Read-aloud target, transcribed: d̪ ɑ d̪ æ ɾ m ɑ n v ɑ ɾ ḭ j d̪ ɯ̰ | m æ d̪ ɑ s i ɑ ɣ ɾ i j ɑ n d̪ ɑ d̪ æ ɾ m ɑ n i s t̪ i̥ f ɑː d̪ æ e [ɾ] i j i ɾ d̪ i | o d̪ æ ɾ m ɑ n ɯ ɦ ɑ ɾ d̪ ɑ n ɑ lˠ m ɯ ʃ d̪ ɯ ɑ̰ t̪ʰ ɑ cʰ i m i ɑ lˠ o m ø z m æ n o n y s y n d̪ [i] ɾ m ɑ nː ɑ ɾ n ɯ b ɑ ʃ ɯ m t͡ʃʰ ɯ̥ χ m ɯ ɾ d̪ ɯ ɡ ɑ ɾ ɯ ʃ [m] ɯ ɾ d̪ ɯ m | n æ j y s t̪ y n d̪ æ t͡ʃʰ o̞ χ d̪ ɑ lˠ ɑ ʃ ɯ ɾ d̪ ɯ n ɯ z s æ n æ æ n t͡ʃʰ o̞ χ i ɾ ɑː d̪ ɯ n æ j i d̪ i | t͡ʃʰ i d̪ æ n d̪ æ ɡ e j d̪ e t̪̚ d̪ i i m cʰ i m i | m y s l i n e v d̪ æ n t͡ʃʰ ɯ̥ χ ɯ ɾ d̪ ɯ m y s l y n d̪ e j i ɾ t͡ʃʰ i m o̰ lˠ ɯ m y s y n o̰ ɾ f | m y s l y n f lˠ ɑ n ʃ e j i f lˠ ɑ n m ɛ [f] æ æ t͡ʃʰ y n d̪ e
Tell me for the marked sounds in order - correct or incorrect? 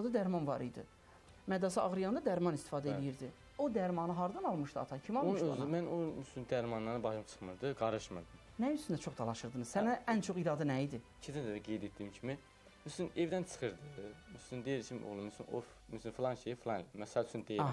incorrect, incorrect, correct, incorrect

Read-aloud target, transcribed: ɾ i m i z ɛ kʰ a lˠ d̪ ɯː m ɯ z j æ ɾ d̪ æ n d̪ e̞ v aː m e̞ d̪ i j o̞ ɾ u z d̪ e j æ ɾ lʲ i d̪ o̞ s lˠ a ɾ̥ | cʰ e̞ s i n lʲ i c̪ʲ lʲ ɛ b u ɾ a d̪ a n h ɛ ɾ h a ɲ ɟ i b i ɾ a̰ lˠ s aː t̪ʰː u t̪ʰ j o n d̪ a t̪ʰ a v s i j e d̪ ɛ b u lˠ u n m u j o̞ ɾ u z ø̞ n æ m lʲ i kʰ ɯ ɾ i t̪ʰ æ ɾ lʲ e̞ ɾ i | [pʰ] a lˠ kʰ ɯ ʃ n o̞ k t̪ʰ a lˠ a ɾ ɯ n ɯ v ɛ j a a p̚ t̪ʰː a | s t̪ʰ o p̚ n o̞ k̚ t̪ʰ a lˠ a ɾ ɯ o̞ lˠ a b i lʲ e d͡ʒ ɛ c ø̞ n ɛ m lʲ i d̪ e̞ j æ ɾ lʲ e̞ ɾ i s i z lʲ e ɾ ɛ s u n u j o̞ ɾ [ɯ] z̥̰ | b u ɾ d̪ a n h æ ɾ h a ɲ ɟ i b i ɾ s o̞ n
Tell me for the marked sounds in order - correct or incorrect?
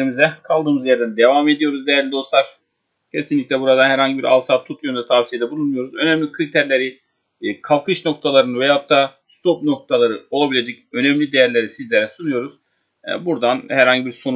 incorrect, incorrect

